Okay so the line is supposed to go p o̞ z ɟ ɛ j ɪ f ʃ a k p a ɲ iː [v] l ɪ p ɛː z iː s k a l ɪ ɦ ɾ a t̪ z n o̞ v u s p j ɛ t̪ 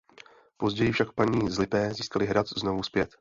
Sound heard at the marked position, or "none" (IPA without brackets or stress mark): z